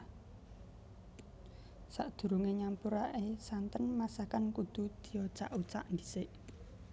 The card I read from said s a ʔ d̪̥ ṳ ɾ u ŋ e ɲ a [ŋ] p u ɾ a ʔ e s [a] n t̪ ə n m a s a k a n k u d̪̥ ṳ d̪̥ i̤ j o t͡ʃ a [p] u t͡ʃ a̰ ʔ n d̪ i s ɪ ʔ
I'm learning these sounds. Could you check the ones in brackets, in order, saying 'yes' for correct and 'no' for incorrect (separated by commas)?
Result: no, yes, no